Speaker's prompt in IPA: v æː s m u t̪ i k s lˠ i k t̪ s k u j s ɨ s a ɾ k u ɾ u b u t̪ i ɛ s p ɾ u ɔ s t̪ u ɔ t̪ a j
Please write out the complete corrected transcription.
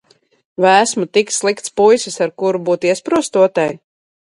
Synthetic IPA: v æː s m u t̪ i k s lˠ i k t̪ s p u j s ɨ s a ɾ k u ɾ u b uː t̪ i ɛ s p ɾ u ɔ s t̪ u ɔ t̪ a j